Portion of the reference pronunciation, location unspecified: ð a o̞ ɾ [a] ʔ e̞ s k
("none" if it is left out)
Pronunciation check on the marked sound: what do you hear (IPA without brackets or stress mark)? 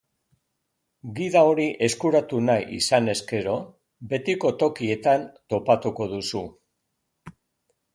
i